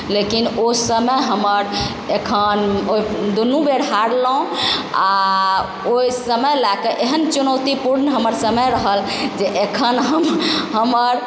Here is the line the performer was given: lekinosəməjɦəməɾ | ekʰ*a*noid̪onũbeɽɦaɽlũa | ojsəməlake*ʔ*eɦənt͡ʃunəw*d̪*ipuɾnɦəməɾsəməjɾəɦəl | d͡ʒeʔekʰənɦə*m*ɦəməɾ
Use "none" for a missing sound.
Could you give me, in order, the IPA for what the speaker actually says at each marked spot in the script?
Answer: ə, ʔ, t̪, m

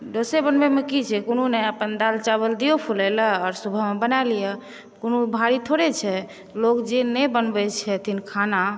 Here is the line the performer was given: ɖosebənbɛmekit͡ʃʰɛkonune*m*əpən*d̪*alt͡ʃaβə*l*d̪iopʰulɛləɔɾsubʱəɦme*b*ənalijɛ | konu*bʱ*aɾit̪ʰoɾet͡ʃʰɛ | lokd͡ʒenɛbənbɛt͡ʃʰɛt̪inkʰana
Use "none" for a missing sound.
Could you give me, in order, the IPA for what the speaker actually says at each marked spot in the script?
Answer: none, d̪, l, b, bʱ

